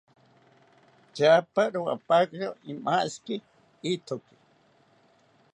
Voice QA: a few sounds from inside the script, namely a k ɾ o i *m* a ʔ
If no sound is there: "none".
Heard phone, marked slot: m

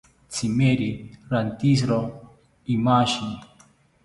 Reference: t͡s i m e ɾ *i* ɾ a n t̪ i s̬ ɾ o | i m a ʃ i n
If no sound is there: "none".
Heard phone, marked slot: i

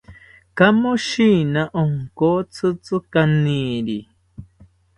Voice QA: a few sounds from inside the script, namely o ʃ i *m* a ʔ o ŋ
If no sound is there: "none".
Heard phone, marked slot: n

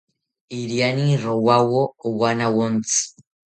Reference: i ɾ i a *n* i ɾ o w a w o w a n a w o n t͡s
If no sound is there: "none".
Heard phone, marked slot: n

